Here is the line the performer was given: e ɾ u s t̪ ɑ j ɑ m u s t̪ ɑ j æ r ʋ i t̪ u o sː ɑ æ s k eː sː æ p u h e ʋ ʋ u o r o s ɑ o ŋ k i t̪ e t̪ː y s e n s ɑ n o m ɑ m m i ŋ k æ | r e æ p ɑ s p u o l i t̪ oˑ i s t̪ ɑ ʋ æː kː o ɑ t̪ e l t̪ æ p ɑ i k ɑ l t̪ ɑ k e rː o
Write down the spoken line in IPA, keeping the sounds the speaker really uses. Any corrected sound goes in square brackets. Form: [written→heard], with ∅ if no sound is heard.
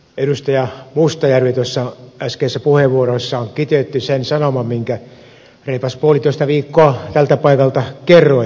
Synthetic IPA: e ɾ u s t̪ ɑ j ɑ m u s t̪ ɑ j æ r ʋ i t̪ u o sː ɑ æ s k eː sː æ p u h e ʋ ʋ u o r o [s→sː] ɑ o ŋ k i t̪ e t̪ː y s e n s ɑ n o m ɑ m m i ŋ k æ | r e [æ→i] p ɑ s p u o l i t̪ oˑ i s t̪ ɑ ʋ [æː→iː] kː o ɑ t̪ [e→æ] l t̪ æ p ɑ i k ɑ l t̪ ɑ k e rː o